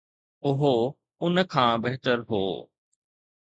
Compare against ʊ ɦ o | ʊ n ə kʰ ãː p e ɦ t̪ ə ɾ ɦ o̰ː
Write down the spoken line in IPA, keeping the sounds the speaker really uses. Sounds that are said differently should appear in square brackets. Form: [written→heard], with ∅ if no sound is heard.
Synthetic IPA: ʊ ɦ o | ʊ n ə kʰ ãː [p→b] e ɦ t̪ ə ɾ ɦ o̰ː